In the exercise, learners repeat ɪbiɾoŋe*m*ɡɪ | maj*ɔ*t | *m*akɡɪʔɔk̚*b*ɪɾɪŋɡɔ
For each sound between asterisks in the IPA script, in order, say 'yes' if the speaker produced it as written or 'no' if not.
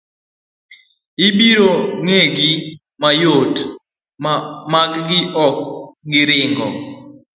no, no, yes, no

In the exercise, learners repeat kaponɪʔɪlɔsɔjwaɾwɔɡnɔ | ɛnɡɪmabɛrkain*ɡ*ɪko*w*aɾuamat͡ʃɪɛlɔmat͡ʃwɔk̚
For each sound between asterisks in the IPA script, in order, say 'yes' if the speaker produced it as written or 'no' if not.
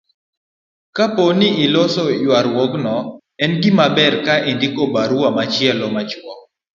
no, no

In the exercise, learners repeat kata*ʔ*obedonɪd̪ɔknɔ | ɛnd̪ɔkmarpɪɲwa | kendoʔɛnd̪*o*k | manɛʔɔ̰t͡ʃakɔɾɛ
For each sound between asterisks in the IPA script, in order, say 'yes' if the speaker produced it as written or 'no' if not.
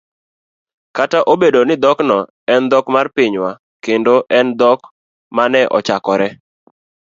yes, no

